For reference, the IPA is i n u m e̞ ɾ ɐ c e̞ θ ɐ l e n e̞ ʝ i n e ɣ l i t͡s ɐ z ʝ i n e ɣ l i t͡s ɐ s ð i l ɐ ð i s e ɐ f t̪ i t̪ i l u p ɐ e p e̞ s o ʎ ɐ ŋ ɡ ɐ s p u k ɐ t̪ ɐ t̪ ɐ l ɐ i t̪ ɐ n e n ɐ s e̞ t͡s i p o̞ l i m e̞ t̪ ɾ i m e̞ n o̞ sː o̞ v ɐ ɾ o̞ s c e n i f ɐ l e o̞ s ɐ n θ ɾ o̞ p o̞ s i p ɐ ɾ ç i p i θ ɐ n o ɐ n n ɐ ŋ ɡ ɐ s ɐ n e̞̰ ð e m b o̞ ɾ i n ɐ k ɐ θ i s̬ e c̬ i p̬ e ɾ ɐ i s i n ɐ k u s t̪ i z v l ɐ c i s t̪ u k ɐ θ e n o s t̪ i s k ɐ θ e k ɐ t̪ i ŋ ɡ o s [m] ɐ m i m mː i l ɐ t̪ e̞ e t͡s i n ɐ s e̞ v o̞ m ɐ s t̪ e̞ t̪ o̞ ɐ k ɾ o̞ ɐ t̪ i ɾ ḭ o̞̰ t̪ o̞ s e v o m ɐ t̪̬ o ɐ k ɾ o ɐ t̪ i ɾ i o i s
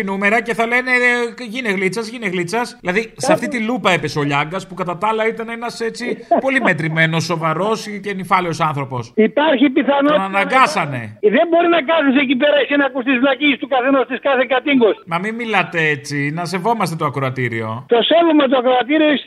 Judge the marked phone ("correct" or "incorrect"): correct